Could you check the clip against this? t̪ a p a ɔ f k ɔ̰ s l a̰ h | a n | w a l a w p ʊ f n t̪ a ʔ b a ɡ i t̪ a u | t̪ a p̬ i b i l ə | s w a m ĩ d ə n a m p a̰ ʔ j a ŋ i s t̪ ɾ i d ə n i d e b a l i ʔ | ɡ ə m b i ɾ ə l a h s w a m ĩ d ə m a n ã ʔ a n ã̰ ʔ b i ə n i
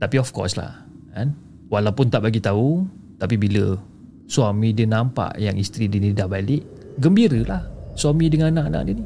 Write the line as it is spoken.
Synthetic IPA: t̪ a p i ɔ f k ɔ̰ s l a̰ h | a n | w a l a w p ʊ n t̪ a ʔ b a ɡ i t̪ a u | t̪ a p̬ i b i l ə | s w a m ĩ d ə n a m p a̰ ʔ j a ŋ i s t̪ ɾ i d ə n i d a b a l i ʔ | ɡ ə m b i ɾ ə l a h s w a m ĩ d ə ŋ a n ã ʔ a n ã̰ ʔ d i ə n i